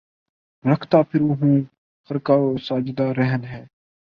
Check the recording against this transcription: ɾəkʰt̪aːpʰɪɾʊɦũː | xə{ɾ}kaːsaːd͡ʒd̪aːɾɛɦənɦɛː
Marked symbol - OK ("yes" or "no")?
yes